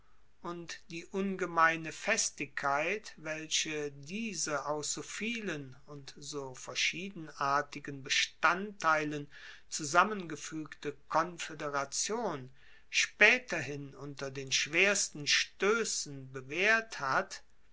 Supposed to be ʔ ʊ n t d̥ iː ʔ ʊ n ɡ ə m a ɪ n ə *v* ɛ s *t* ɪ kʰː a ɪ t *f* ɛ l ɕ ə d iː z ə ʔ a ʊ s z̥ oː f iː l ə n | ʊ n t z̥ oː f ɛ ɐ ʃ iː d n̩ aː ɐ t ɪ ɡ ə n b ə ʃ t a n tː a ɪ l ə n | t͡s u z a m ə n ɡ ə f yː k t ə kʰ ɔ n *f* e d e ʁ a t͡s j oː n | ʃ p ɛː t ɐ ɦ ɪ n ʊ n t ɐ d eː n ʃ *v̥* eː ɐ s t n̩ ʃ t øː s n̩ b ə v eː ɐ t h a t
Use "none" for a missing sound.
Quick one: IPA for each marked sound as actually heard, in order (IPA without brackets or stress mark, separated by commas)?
f, t, v, f, v̥